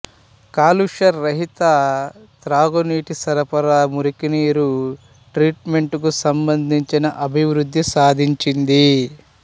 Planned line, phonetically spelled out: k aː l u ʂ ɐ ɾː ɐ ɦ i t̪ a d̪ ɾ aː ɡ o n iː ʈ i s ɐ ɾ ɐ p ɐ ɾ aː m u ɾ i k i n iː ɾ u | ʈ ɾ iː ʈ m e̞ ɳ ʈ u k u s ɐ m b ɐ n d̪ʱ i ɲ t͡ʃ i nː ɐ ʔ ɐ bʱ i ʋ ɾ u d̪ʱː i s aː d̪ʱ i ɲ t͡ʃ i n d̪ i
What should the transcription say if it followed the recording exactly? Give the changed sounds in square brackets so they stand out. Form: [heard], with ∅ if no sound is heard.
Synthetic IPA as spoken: k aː l u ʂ ɐ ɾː ɐ ɦ i t̪ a [t̪] ɾ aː ɡ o n iː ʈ i s ɐ ɾ ɐ p ɐ ɾ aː m u ɾ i k i n iː ɾ u | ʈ ɾ iː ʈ m e̞ ɳ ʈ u k u s ɐ m b ɐ n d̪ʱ i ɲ t͡ʃ i [n] ɐ ʔ ɐ bʱ i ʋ ɾ u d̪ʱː i s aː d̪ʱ i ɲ t͡ʃ i n d̪ i